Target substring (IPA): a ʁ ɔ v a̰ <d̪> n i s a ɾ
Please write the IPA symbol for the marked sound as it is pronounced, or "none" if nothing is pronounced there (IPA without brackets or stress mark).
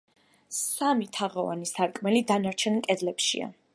none